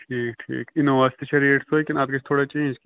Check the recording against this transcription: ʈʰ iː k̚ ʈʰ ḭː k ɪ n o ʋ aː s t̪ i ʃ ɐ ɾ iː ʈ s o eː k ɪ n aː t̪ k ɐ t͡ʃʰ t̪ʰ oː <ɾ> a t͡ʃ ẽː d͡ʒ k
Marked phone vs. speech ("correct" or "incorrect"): incorrect